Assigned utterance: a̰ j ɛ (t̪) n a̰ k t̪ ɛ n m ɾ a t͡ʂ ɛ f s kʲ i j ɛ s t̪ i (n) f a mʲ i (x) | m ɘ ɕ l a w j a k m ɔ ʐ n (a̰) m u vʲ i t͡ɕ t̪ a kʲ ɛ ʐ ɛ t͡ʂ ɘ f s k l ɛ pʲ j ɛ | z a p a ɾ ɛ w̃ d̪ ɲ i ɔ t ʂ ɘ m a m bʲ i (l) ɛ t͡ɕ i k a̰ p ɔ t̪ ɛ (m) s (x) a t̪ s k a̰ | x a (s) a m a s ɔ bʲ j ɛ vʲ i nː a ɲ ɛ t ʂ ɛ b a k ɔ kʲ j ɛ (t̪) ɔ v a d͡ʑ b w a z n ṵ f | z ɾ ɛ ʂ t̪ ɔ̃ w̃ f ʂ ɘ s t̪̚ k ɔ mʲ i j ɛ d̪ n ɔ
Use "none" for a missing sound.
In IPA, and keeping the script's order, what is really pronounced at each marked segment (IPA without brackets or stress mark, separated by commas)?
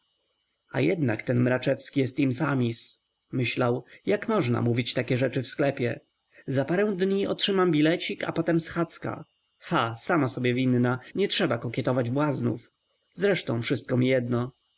d̪, n, s, a̰, l, m, x, s, t̪